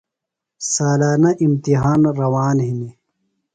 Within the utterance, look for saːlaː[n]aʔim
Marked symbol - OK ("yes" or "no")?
yes